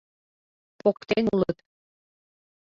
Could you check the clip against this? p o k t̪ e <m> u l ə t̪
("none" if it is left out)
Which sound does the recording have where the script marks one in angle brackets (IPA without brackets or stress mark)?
n